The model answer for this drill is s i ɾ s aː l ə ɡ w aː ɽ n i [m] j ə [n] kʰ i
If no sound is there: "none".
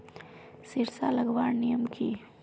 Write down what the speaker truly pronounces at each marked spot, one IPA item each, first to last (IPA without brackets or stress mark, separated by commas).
none, m